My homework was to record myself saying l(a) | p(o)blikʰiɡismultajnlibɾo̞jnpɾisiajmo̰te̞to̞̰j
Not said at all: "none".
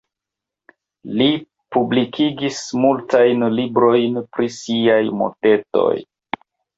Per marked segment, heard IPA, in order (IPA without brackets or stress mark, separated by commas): i, u